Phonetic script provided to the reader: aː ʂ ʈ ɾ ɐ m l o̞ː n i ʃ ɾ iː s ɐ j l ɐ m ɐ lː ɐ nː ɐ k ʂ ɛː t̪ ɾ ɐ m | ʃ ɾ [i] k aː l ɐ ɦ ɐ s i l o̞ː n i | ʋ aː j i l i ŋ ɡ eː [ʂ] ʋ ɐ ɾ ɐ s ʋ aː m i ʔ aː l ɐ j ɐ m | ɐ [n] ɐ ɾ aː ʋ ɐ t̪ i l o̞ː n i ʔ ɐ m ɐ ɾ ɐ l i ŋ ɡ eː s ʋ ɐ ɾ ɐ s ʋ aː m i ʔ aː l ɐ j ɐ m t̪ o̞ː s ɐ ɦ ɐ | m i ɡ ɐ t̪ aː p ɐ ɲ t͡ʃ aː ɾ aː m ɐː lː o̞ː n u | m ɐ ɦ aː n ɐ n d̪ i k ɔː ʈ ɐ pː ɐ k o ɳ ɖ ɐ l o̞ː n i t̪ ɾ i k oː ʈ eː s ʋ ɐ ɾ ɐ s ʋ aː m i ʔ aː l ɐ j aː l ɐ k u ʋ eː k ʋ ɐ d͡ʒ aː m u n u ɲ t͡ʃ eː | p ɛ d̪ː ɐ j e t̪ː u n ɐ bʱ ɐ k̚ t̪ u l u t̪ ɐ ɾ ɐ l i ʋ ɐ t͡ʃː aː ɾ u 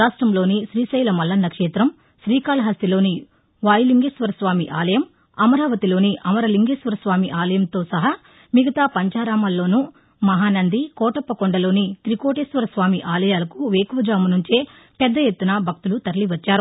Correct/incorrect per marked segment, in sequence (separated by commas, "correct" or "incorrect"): incorrect, incorrect, incorrect